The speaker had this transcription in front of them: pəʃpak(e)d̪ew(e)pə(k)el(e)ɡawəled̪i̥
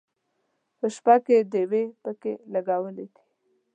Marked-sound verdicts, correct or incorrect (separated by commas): correct, correct, correct, incorrect